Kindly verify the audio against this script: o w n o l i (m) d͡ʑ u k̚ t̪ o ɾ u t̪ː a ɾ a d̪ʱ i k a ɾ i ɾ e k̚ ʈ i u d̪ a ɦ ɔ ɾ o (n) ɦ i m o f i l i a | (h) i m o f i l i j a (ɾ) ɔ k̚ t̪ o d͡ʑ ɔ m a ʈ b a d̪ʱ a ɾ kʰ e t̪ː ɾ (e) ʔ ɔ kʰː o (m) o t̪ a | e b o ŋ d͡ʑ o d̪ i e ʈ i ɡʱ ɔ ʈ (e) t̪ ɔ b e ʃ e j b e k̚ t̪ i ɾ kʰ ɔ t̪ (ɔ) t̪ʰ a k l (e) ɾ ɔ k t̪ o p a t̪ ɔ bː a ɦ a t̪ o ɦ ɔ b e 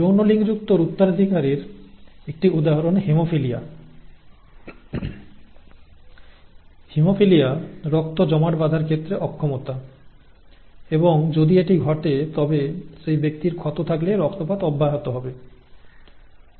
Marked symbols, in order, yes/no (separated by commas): no, yes, yes, yes, yes, yes, yes, no, yes